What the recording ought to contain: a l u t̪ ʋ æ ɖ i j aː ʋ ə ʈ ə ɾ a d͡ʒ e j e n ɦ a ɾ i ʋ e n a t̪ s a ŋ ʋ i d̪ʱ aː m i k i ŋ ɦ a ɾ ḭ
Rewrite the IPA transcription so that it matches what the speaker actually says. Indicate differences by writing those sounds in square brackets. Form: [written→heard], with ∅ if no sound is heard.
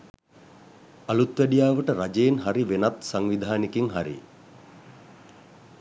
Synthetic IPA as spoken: a l u t̪ ʋ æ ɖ i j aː ʋ ə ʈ ə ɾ a d͡ʒ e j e n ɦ a ɾ i ʋ e n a t̪ s a ŋ ʋ i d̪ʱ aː [m→n] i k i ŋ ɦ a ɾ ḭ

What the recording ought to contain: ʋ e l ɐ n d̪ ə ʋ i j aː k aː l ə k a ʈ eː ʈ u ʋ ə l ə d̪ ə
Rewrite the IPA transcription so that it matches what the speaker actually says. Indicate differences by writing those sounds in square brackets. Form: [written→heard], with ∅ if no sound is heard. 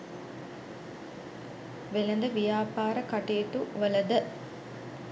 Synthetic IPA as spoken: ʋ e l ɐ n d̪ ə ʋ i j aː [k→p] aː [l→ɾ] ə k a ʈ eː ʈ u ʋ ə l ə d̪ ə

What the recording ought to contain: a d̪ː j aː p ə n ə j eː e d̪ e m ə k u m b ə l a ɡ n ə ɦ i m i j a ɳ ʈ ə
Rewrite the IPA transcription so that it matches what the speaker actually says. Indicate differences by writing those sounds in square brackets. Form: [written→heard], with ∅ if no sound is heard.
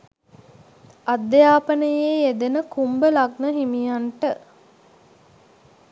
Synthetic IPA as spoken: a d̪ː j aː p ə n ə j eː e d̪ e [m→n] ə k u m b ə l a ɡ n ə ɦ i m i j a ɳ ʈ ə

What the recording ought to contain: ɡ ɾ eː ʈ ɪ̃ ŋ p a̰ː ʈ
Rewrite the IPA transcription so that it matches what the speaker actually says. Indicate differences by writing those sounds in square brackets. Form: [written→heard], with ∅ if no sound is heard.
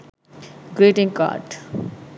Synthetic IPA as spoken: ɡ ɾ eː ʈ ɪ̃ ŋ [p→k] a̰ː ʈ

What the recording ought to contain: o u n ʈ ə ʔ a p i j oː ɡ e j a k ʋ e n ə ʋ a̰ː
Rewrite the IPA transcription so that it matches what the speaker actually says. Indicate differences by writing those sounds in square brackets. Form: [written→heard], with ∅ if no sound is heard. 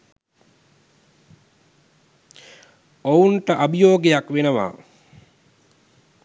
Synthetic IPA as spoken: o u n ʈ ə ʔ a [p→b] i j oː ɡ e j a k ʋ e n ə ʋ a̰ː

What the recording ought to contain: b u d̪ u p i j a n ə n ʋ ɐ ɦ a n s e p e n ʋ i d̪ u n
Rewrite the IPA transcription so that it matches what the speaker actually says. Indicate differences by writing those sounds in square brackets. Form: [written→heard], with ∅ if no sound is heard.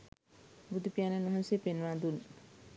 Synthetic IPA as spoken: b u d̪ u p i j a n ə n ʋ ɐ ɦ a n s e p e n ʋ [i→a] d̪ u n

